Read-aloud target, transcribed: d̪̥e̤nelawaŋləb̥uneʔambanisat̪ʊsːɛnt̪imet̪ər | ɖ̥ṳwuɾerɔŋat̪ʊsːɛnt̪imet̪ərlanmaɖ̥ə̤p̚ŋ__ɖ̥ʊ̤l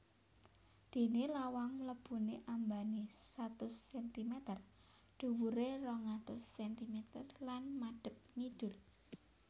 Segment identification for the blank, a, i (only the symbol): i